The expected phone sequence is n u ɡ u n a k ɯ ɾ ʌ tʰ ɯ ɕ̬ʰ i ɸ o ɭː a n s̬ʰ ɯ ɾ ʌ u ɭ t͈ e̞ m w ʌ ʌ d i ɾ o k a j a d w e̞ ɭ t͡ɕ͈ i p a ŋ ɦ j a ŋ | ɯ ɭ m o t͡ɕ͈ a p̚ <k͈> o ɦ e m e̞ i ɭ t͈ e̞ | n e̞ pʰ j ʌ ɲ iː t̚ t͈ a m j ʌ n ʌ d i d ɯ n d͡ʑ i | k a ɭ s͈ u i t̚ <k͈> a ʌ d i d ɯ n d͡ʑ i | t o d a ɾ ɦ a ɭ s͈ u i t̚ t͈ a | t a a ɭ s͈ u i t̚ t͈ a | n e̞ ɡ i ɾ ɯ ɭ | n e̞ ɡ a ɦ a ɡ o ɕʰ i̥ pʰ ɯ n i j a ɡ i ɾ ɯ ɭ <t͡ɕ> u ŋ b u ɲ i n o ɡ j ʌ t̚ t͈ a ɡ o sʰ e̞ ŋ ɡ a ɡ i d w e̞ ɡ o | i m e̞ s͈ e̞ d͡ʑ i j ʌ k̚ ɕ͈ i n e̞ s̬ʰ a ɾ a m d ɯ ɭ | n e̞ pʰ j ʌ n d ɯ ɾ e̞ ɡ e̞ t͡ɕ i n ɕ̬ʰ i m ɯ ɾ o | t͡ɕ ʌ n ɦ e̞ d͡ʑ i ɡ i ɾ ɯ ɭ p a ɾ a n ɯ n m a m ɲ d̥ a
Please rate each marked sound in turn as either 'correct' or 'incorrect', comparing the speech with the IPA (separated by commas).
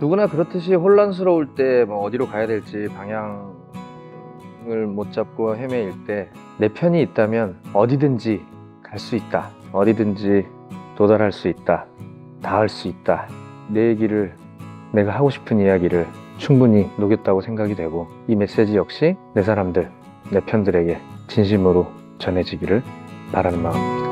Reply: correct, incorrect, incorrect